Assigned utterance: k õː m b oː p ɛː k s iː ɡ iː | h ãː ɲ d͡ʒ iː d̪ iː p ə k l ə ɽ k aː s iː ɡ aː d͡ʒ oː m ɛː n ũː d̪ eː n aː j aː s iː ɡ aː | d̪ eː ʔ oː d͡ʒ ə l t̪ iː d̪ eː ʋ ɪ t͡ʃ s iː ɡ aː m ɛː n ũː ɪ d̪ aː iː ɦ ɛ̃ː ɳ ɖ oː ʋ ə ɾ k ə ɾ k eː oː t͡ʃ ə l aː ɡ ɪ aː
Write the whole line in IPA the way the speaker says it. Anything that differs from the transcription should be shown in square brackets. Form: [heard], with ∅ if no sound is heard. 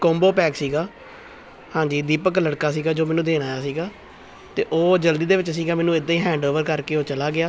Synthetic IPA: k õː m b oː p ɛː k s iː ɡ [aː] | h ãː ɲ d͡ʒ iː d̪ iː p ə k l ə ɽ k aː s iː ɡ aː d͡ʒ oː m ɛː n ũː d̪ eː n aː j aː s iː ɡ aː | [t̪] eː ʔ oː d͡ʒ ə l [d̪] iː d̪ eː ʋ ɪ t͡ʃ s iː ɡ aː m ɛː n ũː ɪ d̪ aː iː ɦ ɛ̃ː ɳ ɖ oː ʋ ə ɾ k ə ɾ k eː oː t͡ʃ ə l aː ɡ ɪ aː